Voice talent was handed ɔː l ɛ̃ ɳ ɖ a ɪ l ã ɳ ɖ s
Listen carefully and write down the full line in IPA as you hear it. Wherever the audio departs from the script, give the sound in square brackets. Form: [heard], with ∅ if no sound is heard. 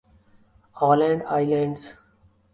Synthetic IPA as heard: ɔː l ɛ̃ ɳ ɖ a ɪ l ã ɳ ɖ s